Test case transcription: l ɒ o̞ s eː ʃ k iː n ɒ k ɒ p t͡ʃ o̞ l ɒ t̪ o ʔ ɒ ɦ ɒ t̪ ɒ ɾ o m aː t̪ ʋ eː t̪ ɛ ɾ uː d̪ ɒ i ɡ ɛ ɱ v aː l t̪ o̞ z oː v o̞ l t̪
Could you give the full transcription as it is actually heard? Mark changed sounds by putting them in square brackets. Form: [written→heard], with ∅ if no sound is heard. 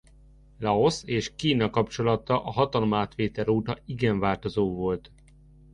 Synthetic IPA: l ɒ o̞ s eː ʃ k iː n ɒ k ɒ p t͡ʃ o̞ l ɒ t̪ [o→ɒ] ʔ ɒ ɦ ɒ t̪ ɒ [ɾ→l] o m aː t̪ ʋ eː t̪ ɛ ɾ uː [d̪→t̪] ɒ i ɡ ɛ ɱ v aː l t̪ o̞ z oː v o̞ l t̪